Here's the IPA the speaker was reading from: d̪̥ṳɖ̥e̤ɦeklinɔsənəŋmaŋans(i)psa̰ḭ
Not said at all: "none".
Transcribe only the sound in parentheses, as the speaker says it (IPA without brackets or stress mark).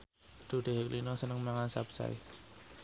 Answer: a